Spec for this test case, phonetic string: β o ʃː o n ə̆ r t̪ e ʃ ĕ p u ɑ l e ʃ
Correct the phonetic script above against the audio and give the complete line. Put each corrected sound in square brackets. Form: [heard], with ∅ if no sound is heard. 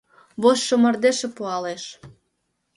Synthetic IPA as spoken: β o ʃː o [m] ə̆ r [d̪] e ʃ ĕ p u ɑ l e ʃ